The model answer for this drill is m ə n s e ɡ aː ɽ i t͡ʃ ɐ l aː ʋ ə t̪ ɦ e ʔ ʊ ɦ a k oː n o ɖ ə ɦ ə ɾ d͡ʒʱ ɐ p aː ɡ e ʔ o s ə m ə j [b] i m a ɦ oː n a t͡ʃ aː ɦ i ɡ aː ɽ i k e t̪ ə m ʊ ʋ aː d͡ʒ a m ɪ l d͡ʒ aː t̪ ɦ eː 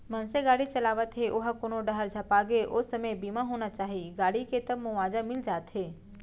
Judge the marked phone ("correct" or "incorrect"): correct